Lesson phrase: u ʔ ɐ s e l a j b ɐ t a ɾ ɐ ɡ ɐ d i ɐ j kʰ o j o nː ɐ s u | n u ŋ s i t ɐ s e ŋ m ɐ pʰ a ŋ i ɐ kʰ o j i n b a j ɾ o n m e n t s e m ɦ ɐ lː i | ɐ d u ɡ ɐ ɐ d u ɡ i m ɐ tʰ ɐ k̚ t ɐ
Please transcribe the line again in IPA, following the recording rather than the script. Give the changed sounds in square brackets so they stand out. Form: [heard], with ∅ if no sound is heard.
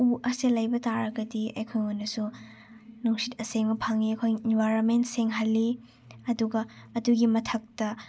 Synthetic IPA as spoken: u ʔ ɐ s e l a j b ɐ t a ɾ ɐ ɡ ɐ d i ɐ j kʰ o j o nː ɐ s u | n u ŋ s i t ɐ s e ŋ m ɐ pʰ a ŋ i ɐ kʰ o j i n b a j ɾ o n m e n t s e [ŋ] ɦ ɐ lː i | ɐ d u ɡ ɐ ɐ d u ɡ i m ɐ tʰ ɐ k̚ t ɐ